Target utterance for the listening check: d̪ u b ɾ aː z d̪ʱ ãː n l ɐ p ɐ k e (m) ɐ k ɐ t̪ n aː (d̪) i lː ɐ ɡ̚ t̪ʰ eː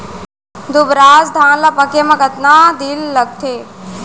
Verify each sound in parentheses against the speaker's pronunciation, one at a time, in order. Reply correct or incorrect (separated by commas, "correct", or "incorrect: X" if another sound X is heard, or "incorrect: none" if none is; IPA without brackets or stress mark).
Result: correct, correct